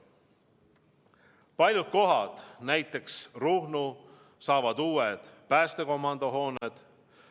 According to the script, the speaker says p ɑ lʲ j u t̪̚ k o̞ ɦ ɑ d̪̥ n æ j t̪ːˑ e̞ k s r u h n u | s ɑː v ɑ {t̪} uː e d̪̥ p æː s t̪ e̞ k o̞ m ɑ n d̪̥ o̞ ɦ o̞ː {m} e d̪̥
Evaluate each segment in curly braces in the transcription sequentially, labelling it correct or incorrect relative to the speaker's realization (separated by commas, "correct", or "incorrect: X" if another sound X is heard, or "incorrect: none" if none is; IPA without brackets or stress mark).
incorrect: d̪, incorrect: n